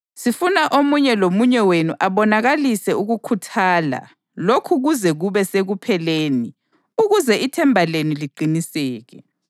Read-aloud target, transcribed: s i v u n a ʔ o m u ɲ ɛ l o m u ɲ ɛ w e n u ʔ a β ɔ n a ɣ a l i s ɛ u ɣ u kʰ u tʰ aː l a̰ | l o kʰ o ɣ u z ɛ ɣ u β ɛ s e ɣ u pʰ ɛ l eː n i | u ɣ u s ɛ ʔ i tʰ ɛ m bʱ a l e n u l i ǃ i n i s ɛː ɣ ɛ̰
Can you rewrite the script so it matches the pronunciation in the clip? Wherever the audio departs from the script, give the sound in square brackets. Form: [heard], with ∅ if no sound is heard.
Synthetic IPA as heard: s i [f] u n a ʔ o m u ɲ ɛ l o m u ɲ ɛ w e n u ʔ a β ɔ n a ɣ a l i s ɛ u ɣ u kʰ u tʰ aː l a̰ | l o kʰ [u] ɣ u z ɛ ɣ u β ɛ s e ɣ u pʰ ɛ l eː n i | u ɣ u [z] ɛ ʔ i tʰ ɛ m bʱ a l e n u l i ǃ i n i s ɛː ɣ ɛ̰